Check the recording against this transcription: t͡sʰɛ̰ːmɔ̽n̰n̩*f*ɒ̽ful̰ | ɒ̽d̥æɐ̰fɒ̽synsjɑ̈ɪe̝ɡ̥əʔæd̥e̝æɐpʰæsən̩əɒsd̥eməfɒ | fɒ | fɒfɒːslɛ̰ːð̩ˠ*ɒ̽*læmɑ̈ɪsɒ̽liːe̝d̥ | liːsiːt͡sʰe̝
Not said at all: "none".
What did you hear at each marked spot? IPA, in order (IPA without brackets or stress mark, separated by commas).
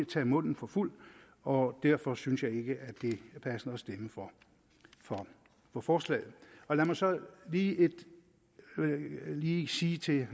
f, ɒ̽